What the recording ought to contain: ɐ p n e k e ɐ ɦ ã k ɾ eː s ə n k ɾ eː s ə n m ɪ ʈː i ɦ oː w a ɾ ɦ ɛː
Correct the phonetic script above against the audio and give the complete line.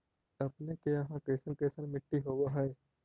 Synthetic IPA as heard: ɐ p n e k e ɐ ɦ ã k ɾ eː s ə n k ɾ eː s ə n m ɪ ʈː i ɦ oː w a ɦ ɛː